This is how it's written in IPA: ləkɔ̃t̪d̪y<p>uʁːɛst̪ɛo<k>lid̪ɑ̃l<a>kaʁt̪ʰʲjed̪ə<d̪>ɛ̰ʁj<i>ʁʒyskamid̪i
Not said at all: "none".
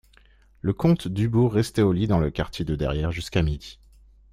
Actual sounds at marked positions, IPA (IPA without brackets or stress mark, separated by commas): b, none, ə, d̪, ɛ